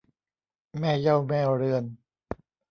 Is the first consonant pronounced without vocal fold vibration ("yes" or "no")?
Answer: no